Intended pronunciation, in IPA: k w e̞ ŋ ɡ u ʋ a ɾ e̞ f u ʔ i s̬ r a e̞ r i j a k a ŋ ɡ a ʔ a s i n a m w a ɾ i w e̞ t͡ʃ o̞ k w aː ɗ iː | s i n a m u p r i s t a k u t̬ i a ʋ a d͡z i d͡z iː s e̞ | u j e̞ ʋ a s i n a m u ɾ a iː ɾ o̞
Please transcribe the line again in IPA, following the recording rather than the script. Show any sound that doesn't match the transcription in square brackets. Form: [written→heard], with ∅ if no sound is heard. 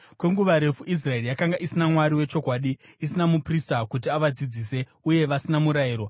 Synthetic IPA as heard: k w e̞ ŋ ɡ u ʋ a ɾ e̞ f u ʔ i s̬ r a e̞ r i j a k a ŋ ɡ a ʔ [a→i] s i n a m w a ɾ i w e̞ t͡ʃ o̞ k w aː ɗ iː | s i n a m u p r i s t a k u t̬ i a ʋ a d͡z i d͡z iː s e̞ | u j e̞ ʋ a s i n a m u ɾ a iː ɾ o̞

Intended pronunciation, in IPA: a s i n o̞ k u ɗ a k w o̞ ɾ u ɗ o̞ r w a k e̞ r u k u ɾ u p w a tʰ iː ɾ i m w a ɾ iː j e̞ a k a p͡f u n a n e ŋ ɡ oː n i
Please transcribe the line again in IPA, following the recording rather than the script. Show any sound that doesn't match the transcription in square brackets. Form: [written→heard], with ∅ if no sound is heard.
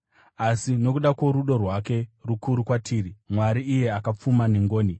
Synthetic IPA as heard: a s i n o̞ k u ɗ a k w o̞ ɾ u ɗ o̞ r w a k e̞ r u k u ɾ u [p→k] w a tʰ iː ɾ i m w a ɾ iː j e̞ a k a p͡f u [n→m] a n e ŋ ɡ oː n i

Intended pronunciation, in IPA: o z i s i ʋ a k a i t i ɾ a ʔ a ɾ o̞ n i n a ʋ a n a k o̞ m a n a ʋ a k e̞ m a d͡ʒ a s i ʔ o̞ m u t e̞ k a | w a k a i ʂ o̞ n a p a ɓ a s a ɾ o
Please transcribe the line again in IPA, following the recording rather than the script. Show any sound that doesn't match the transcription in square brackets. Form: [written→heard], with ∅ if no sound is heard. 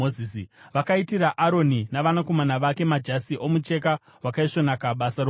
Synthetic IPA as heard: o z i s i ʋ a k a i t i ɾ a ʔ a ɾ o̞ n i n a ʋ a n a k o̞ m a n a ʋ a k e̞ m a d͡ʒ a s i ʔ o̞ m u [t→t͡ʃ] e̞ k a | w a k a i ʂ o̞ n a [p→k] a ɓ a s a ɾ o

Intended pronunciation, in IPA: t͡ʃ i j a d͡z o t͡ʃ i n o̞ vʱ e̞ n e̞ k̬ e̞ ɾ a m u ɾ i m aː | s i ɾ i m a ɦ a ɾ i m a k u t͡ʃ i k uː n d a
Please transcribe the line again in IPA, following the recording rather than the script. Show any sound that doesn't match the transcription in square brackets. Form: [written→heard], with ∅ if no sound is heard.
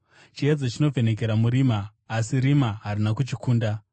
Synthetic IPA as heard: t͡ʃ i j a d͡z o t͡ʃ i n o̞ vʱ e̞ n e̞ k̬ e̞ ɾ a m u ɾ i m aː | s i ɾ i m a ɦ a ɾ i [m→n] a k u t͡ʃ i k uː n d a

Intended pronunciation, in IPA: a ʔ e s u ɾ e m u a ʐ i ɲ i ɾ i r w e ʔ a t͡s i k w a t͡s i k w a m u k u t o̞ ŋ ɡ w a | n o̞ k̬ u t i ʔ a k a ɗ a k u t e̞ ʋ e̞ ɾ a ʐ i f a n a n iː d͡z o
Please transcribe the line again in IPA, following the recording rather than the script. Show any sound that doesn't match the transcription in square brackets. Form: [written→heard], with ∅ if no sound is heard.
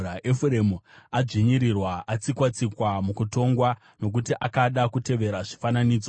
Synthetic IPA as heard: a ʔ e [s→f] u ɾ e m u a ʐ i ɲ i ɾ i r w [e→a] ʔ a t͡s i k w a t͡s i k w a m u k u t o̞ ŋ ɡ w a | n o̞ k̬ u t i ʔ a k a ɗ a k u t e̞ ʋ e̞ ɾ a ʐ i f a n a n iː d͡z o

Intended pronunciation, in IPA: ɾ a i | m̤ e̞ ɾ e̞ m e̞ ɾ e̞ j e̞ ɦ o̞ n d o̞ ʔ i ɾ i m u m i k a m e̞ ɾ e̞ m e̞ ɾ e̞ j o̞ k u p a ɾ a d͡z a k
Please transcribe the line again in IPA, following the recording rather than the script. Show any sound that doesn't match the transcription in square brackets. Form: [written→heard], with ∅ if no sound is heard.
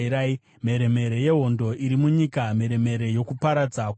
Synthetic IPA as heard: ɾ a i | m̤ e̞ ɾ e̞ m e̞ ɾ e̞ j e̞ ɦ o̞ n d o̞ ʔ i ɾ i m u [m→ɲ] i k a m e̞ ɾ e̞ m e̞ ɾ e̞ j o̞ k u p a ɾ a d͡z a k

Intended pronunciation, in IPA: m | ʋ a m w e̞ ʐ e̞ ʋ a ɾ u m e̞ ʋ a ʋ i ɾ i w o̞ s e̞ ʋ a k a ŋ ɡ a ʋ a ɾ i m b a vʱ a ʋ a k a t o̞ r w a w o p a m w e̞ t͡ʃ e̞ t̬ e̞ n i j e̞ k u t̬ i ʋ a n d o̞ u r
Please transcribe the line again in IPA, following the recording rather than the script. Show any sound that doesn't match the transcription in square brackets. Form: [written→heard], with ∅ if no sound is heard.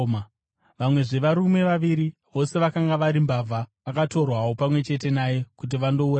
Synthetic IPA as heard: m | ʋ a m w e̞ ʐ e̞ ʋ a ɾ u m e̞ ʋ a ʋ i ɾ i [w→ʋ] o̞ s e̞ ʋ a k a ŋ ɡ a ʋ a ɾ i m b a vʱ a ʋ a k a t o̞ r w a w o p a m w e̞ t͡ʃ e̞ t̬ e̞ n [i→a] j e̞ k u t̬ i ʋ a n d o̞ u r

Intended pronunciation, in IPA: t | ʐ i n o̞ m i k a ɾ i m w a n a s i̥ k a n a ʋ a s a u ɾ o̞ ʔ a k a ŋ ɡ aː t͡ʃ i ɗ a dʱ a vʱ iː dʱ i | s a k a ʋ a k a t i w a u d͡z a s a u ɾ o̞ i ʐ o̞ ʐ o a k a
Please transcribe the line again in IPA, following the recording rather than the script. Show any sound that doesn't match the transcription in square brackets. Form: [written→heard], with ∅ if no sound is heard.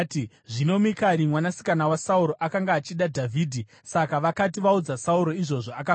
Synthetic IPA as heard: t | ʐ i n o̞ m i k a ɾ i m w a n a s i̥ k a n a [ʋ→w] a s a u ɾ o̞ ʔ a k a ŋ ɡ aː t͡ʃ i ɗ a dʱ a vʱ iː dʱ i | s a k a ʋ a k a t i [w→ʋ] a u d͡z a s a u ɾ o̞ i ʐ o̞ ʐ o a k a

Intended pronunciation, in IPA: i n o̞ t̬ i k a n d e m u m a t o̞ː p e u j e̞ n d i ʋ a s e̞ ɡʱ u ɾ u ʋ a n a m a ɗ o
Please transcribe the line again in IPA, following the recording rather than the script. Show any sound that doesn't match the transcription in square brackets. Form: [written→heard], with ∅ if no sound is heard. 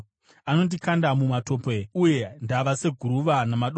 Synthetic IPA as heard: [i→a] n o̞ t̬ i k a n d [e→a] m u m a t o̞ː p e u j e̞ n d [i→a] ʋ a s e̞ ɡʱ u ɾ u ʋ a n a m a ɗ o

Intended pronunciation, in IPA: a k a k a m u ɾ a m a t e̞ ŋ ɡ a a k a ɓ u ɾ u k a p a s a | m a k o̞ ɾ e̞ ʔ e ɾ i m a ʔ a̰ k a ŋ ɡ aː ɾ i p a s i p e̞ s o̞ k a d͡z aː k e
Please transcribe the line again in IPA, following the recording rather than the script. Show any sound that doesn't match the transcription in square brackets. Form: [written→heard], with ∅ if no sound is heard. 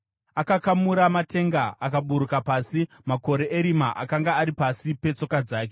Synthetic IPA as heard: a k a k a m u ɾ a m a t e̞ ŋ ɡ a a k a ɓ u ɾ u k a p a s [a→i] | m a k o̞ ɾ e̞ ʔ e ɾ i m a ʔ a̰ k a ŋ ɡ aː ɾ i p a s i p e̞ [s→t͡s] o̞ k a d͡z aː k e

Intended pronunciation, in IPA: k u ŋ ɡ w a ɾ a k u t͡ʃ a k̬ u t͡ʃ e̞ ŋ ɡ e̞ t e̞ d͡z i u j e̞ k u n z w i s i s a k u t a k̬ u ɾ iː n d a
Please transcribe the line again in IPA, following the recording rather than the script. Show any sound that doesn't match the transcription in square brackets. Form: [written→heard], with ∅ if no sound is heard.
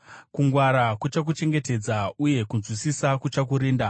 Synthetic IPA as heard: k u ŋ ɡ w a ɾ a k u t͡ʃ a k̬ u t͡ʃ e̞ ŋ ɡ e̞ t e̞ d͡z [i→a] u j e̞ k u n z w i s i s a k u [t→t͡ʃ] a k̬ u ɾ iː n d a

